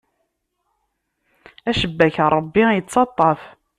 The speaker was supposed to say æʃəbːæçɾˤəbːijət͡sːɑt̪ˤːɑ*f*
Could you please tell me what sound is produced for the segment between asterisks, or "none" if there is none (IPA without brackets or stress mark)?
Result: f